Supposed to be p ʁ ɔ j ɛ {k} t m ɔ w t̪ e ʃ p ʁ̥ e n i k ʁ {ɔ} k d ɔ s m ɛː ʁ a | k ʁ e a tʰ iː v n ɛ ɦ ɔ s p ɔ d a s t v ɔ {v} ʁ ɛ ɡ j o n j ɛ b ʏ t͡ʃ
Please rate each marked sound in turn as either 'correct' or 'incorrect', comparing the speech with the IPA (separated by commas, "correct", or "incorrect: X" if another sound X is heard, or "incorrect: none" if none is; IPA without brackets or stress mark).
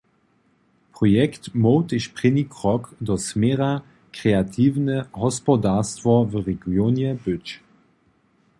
correct, correct, correct